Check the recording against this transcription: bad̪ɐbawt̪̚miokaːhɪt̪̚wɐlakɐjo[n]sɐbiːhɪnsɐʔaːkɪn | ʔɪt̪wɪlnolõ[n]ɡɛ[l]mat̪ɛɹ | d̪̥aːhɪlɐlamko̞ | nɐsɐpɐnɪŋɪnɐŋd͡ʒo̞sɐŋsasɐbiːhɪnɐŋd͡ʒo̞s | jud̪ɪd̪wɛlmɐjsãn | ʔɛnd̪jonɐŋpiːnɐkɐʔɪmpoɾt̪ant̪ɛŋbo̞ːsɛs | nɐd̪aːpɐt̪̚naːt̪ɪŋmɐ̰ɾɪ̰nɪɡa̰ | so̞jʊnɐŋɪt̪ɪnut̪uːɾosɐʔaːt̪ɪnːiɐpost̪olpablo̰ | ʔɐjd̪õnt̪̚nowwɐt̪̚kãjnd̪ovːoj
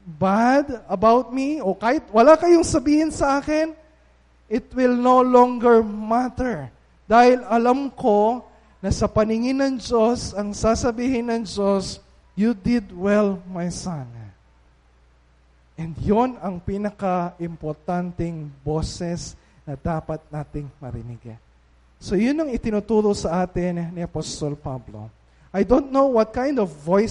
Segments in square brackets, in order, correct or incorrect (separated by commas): incorrect, incorrect, incorrect